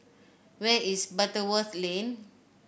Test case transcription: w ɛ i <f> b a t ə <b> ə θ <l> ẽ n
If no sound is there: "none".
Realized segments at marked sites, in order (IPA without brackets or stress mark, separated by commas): s, w, l